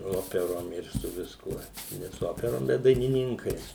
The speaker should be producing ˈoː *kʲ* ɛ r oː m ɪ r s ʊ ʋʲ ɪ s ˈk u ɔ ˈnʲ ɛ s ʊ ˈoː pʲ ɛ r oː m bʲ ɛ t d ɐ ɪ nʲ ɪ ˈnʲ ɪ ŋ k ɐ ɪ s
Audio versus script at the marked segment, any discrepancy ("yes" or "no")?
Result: yes